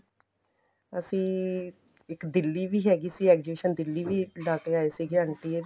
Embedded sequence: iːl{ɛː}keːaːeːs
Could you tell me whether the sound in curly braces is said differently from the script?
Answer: yes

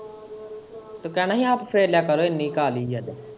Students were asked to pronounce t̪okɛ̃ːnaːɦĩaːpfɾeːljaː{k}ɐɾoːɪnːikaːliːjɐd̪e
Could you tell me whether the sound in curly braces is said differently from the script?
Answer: no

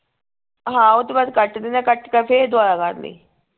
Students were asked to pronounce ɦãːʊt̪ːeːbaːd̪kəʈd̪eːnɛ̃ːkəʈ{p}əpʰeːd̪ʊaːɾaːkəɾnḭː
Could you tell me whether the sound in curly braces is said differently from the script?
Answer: yes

